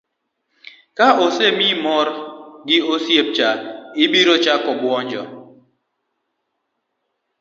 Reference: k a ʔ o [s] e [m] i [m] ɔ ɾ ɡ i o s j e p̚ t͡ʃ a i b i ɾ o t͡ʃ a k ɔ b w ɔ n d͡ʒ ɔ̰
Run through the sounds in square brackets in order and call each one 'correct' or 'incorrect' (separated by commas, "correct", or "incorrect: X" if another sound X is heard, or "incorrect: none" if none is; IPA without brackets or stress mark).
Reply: correct, correct, correct